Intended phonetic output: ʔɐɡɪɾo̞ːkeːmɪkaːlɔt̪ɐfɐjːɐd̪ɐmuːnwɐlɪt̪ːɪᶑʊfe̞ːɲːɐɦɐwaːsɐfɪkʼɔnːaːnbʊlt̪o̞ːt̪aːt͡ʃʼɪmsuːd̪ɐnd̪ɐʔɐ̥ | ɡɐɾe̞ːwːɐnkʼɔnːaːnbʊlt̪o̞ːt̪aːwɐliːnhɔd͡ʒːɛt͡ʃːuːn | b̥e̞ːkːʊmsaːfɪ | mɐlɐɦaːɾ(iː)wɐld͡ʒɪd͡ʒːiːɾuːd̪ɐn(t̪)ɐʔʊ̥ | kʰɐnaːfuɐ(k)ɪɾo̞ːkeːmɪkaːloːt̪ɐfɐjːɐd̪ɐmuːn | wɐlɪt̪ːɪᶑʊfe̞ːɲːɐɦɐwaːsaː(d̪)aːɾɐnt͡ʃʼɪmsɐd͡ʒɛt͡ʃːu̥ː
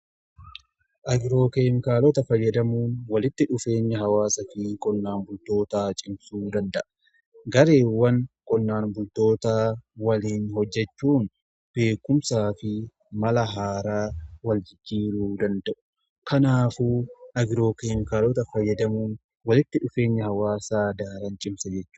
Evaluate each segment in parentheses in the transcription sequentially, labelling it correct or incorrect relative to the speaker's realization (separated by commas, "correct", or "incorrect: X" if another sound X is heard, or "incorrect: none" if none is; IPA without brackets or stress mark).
incorrect: aː, incorrect: d̪, incorrect: ɡ, correct